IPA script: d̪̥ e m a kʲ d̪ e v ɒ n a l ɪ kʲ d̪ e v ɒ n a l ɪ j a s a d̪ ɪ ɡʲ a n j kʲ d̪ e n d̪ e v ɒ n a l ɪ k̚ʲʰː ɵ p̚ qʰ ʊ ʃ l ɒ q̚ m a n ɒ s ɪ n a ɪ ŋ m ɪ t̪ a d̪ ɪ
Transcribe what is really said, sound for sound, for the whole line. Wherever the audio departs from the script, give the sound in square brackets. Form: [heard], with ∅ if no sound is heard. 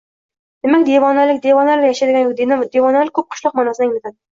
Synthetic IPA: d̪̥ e m a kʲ d̪ e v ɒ n a l ɪ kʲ d̪ e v ɒ n a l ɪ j a [ʃ] a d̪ ɪ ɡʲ a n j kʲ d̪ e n d̪ e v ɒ n a l ɪ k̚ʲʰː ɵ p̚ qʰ ʊ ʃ l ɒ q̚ m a n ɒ s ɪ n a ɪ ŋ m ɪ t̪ a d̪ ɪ